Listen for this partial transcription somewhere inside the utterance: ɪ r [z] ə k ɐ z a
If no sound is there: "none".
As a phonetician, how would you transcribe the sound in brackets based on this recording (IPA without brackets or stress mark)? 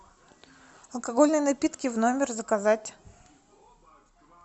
z